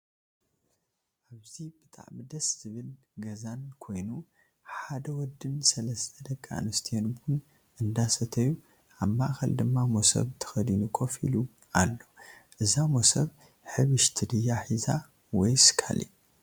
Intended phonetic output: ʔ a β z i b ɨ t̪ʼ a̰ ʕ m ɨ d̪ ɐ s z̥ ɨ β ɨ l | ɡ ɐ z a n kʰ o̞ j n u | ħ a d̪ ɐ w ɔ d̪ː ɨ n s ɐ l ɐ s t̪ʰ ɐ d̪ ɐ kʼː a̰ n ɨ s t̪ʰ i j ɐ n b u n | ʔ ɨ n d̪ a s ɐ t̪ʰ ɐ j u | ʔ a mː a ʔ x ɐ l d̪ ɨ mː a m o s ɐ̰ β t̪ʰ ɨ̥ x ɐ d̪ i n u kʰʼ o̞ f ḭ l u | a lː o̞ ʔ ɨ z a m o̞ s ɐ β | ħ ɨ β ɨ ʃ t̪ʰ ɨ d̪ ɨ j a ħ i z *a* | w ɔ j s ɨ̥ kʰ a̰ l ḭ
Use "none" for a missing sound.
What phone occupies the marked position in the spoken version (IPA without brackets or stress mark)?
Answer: a